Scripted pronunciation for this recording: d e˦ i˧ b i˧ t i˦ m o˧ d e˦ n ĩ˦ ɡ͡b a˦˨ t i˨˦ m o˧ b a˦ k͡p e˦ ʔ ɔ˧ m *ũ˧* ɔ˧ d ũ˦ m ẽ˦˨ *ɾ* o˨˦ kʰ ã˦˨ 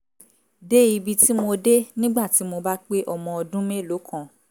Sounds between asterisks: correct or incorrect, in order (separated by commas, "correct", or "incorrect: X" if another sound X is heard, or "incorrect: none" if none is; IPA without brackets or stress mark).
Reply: incorrect: ɔ̃˧, incorrect: l